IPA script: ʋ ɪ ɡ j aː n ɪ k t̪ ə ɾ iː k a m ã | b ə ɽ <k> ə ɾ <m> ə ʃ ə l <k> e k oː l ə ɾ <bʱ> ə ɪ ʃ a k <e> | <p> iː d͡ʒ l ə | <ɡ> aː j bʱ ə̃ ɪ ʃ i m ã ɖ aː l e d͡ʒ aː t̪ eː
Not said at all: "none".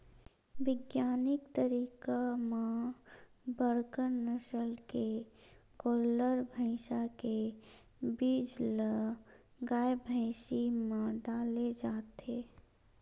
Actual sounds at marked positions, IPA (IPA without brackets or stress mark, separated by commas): k, n, k, bʱ, e, b, ɡ